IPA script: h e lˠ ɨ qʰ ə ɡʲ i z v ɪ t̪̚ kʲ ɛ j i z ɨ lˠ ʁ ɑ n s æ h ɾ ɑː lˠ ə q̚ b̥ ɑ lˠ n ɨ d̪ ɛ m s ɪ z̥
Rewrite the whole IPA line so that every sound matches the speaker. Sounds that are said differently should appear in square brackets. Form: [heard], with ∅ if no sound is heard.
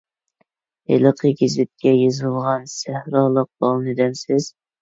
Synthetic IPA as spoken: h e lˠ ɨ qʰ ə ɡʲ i z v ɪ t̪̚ kʲ ɛ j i z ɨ lˠ ʁ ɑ n s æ h ɾ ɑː lˠ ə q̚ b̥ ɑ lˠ n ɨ d̪ ɛ m s ɪ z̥